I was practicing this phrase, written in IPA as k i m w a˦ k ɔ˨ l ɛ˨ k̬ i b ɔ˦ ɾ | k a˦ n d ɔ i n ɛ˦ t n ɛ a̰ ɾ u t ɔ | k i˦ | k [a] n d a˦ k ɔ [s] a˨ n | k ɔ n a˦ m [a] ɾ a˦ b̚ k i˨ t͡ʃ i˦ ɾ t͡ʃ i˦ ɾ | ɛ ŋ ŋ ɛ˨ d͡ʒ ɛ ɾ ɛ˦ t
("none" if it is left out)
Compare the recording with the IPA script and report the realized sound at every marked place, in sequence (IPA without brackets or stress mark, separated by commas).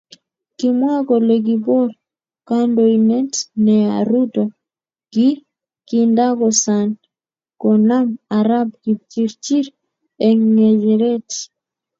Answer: i, s, a